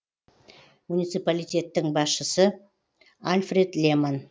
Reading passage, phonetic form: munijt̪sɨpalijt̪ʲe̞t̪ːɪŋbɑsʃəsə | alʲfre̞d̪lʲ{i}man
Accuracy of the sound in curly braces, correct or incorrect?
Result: incorrect: e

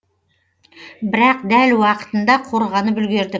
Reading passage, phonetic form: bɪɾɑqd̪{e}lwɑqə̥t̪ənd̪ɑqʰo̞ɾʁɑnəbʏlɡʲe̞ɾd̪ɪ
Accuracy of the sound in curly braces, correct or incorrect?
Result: incorrect: æ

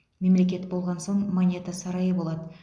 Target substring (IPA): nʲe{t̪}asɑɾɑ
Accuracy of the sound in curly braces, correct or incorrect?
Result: correct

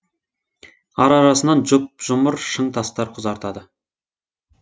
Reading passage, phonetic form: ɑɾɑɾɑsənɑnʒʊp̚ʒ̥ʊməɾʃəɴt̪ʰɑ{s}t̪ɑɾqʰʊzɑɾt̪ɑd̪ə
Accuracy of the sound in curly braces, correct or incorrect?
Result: correct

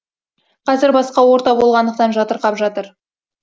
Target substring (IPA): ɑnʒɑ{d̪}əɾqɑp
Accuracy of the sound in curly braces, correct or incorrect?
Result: incorrect: t̪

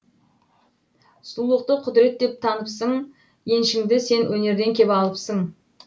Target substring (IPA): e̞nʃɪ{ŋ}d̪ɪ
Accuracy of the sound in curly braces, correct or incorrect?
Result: correct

